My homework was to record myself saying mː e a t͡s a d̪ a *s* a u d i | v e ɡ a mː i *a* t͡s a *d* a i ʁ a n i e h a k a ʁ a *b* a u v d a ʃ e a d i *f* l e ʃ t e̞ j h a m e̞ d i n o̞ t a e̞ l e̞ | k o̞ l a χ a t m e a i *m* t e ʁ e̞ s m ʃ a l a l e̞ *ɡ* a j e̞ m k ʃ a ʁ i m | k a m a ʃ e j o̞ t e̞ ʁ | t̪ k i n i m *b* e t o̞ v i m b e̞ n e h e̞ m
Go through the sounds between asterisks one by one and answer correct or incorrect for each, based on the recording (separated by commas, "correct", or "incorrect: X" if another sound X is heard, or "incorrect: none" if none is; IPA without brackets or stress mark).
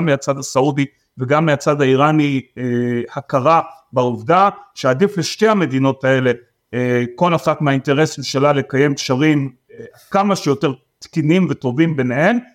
correct, correct, correct, correct, correct, incorrect: n, incorrect: k, incorrect: v